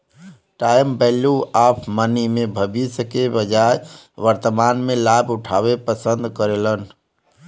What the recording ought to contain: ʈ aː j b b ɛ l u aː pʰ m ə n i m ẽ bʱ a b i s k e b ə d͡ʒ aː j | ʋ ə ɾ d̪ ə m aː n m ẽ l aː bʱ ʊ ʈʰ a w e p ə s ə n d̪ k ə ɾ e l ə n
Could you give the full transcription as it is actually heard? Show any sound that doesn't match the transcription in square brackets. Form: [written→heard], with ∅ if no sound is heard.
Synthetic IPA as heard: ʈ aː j [b→m] b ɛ l u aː pʰ m ə n i m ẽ bʱ [a→ə] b i s k e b ə d͡ʒ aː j | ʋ ə ɾ [d̪→t̪] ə m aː n m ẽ l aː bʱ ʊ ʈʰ a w e p ə s ə n d̪ k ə ɾ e l ə n